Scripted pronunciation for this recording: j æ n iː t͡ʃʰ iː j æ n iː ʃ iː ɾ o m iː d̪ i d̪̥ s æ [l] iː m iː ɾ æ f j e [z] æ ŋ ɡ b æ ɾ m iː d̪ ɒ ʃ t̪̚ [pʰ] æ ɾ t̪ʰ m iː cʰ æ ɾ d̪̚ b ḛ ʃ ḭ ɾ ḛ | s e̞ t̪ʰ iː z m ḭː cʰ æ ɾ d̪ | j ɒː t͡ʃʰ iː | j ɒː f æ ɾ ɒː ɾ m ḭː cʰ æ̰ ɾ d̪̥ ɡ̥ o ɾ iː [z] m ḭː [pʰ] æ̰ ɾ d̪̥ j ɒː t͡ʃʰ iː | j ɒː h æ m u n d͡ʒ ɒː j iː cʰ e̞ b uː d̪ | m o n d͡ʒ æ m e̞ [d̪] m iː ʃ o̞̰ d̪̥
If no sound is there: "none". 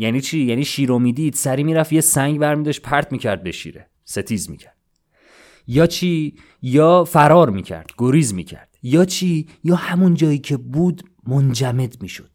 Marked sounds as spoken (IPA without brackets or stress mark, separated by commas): ɾ, s, pʰ, z, cʰ, d̪